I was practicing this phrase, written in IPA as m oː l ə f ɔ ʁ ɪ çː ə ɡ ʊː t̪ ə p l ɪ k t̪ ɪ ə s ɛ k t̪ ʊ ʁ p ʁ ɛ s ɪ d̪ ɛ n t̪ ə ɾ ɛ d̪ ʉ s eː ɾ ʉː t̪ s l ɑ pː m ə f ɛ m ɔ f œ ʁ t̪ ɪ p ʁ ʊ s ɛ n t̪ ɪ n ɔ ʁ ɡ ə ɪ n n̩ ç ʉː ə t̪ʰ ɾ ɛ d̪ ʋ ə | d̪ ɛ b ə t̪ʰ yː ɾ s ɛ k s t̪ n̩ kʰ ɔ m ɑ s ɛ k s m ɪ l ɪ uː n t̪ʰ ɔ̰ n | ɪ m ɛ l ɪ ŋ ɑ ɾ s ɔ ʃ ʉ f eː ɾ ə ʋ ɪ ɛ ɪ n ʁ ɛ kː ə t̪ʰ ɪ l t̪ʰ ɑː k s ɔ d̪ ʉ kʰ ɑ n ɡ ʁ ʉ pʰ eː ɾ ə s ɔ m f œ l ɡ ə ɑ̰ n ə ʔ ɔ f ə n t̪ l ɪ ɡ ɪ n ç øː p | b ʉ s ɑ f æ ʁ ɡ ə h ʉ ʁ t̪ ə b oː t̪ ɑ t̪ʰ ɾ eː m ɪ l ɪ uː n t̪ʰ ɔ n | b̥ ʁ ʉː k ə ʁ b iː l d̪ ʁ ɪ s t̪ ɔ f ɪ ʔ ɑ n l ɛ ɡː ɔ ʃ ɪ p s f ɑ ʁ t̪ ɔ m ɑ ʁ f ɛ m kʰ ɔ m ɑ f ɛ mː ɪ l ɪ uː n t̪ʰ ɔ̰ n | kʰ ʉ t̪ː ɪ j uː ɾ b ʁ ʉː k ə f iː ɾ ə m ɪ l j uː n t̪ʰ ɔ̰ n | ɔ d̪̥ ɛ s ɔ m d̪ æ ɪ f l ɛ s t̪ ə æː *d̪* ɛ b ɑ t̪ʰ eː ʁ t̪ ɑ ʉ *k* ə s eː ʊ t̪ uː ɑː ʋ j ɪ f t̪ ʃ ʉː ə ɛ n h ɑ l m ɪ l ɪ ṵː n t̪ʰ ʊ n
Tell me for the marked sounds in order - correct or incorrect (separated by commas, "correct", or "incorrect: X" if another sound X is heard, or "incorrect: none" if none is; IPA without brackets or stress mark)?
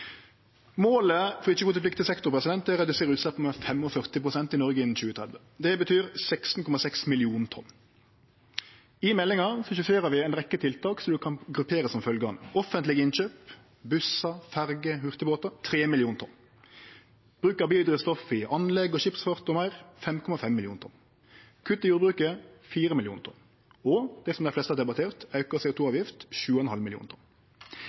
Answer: correct, correct